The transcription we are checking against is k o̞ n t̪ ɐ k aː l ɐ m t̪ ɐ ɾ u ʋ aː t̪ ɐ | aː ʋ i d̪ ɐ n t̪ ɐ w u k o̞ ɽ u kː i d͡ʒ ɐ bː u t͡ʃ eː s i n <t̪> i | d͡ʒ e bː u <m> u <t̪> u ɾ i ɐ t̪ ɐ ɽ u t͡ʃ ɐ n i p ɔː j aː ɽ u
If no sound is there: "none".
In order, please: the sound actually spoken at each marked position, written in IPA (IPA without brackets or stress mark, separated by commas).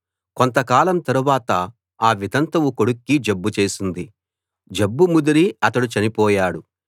d̪, m, d̪